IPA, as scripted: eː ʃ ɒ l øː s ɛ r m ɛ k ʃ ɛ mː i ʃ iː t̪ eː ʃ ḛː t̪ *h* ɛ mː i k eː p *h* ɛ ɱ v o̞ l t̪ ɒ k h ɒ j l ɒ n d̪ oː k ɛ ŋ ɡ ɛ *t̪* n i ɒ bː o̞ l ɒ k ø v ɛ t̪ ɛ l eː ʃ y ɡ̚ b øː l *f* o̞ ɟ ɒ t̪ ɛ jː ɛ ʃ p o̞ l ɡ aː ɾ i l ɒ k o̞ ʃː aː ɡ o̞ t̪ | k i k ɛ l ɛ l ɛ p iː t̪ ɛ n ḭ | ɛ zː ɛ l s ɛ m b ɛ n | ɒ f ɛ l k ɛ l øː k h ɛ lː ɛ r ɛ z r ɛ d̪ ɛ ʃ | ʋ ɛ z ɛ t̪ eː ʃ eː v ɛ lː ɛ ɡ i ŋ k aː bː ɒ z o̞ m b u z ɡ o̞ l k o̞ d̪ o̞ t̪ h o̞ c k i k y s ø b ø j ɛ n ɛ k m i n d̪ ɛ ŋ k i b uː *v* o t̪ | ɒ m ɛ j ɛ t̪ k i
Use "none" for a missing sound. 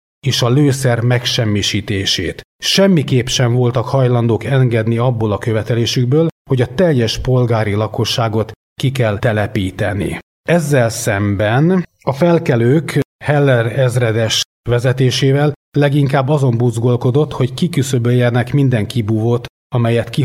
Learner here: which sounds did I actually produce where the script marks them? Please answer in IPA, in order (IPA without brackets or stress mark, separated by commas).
ʃ, ʃ, d̪, h, v